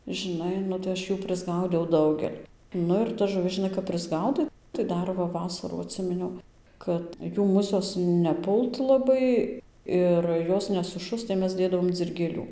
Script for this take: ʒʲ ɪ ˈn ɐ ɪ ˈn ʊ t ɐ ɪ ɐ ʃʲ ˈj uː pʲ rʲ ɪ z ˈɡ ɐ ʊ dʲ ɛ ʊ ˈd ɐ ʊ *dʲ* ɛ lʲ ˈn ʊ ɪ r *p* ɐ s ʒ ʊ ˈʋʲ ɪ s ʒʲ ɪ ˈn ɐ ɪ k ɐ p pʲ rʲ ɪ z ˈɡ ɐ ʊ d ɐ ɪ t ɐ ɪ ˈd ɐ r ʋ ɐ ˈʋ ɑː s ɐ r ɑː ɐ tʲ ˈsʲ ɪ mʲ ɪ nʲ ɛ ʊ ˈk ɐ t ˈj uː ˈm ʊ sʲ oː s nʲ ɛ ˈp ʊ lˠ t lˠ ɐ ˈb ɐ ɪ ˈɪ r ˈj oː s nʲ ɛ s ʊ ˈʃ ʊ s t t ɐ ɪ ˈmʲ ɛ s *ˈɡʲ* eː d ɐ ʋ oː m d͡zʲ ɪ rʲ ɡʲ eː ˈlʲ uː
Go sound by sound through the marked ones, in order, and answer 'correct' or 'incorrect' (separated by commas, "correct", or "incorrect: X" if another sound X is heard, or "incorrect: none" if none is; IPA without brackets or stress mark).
incorrect: ɡʲ, incorrect: t, incorrect: dʲ